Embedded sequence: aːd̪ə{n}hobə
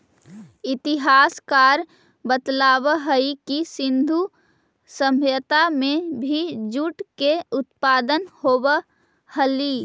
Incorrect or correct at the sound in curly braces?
correct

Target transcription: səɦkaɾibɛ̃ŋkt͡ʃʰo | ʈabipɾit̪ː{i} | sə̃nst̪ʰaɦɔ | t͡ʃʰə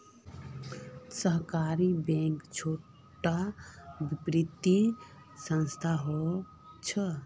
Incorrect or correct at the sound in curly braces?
correct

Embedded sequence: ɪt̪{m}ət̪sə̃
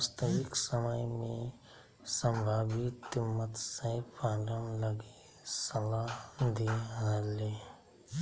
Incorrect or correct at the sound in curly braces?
correct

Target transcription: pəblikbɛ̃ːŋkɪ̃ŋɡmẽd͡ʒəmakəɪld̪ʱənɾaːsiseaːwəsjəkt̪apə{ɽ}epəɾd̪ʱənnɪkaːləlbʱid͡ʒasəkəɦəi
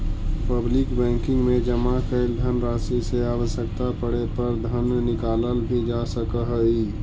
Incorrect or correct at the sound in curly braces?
correct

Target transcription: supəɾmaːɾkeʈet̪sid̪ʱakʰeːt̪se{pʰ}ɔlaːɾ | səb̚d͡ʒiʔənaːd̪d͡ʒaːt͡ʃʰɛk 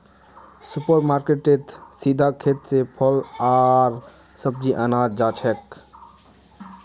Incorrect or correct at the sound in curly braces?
correct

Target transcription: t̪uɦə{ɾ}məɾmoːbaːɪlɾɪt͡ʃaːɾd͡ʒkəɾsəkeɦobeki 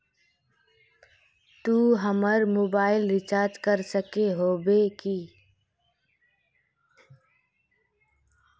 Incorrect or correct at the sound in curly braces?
incorrect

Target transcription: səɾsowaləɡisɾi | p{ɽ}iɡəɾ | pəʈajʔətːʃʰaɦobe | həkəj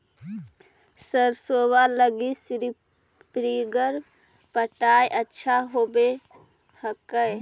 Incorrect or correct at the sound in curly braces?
incorrect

